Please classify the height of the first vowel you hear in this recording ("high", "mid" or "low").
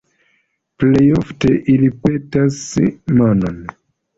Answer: mid